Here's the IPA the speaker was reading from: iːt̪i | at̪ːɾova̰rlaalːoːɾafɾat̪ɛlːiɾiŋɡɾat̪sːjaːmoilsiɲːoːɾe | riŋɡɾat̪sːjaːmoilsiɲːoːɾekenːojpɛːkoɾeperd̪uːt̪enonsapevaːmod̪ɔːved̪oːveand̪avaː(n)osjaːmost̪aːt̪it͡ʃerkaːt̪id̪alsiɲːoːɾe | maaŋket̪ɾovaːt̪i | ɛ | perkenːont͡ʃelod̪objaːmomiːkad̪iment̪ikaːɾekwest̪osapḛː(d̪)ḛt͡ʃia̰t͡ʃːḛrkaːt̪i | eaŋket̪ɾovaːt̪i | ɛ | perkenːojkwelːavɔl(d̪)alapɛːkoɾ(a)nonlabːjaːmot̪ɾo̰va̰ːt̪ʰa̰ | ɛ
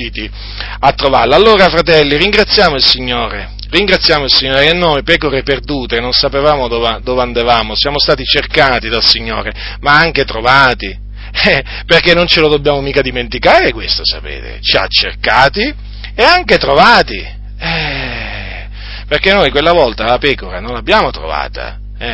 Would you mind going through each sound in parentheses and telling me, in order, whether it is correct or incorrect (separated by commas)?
incorrect, incorrect, incorrect, correct